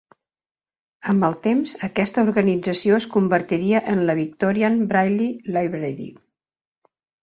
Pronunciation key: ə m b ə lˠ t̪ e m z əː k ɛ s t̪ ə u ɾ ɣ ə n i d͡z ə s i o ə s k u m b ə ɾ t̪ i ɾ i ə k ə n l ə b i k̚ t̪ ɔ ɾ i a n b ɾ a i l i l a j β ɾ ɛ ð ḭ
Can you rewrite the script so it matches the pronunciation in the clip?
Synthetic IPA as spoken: ə m b ə lˠ t̪ e m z ə k ɛ s t̪ ə u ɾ ɣ ə n i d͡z ə s i o ə s k u m b ə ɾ t̪ i ɾ i ə ʔ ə n l ə β i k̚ t̪ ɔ ɾ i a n b ɾ a j l i l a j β ɾ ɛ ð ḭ